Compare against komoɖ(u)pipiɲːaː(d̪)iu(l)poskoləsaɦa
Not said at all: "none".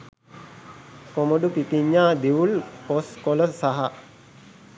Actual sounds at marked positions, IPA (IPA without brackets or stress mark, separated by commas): u, d̪, l